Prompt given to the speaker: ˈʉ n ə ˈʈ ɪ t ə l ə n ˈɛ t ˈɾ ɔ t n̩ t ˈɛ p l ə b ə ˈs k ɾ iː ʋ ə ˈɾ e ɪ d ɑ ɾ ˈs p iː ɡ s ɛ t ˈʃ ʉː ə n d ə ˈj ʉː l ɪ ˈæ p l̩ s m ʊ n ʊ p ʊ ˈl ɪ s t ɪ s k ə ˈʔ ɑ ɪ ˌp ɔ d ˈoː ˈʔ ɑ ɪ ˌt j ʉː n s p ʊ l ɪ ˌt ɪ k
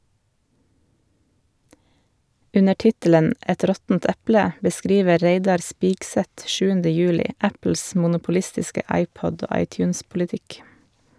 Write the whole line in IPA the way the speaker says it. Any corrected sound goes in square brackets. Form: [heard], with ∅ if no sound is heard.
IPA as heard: ˈʉ n ə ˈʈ ɪ t ə l ə n ˈɛ t ˈɾ ɔ t n̩ t ˈɛ p l ə b ə ˈs k ɾ iː ʋ ə ˈɾ e ɪ d ɑ ɾ ˈs p iː ɡ s ɛ t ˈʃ ʉː ə n d ə ˈj ʉː l ɪ ˈæ p l̩ s m ʊ n ʊ p ʊ ˈl ɪ s t ɪ s k ə ˈʔ ɑ ɪ ˌp ɔ d ˈoː ˈʔ ɑ ɪ ˌt j ʉː n s p ʊ l ɪ ˌt ɪ k